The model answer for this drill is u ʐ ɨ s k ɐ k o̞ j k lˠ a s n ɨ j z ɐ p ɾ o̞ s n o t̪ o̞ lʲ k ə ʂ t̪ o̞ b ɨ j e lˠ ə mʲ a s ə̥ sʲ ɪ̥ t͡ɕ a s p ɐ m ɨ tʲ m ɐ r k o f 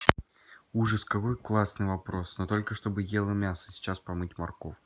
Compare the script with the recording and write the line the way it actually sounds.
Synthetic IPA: u ʐ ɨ s k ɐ k o̞ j k lˠ a s n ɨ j v ɐ p ɾ o̞ s n o t̪ o̞ lʲ k ə ʂ t̪ o̞ b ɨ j e lˠ ə mʲ a s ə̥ sʲ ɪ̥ t͡ɕ a s p ɐ m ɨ tʲ m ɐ r k o f